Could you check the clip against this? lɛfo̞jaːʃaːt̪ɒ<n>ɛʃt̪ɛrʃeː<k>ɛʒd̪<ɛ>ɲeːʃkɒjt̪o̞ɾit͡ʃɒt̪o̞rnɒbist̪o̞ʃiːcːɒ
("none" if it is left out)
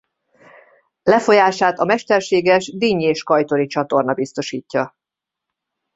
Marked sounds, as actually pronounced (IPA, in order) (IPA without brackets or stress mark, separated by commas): m, ɡ, i